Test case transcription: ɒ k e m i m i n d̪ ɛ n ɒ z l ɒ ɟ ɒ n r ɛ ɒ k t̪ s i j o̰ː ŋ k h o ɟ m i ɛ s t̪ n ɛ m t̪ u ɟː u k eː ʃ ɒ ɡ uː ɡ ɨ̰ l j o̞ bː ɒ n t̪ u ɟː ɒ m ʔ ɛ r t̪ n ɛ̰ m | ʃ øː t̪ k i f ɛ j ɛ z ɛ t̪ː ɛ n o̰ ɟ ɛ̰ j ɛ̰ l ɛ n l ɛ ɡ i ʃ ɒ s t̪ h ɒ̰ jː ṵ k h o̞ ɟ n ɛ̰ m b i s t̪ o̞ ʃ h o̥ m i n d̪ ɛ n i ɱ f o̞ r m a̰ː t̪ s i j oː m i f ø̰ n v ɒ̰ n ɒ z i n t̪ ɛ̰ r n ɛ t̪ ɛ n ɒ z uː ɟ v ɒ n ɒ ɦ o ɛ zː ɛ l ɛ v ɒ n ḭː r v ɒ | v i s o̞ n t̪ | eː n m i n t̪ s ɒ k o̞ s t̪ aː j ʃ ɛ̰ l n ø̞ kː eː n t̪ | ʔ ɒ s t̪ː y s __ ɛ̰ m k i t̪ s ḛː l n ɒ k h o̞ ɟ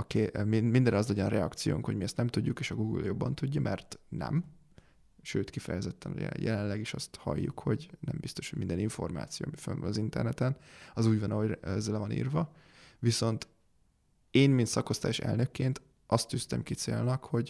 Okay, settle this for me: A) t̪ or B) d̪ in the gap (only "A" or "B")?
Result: A